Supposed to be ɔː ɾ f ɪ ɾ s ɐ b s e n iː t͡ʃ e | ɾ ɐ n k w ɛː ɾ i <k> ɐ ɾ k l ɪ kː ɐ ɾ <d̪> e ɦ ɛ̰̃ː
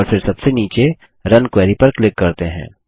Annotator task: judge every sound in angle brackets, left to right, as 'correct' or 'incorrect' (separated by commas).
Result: incorrect, incorrect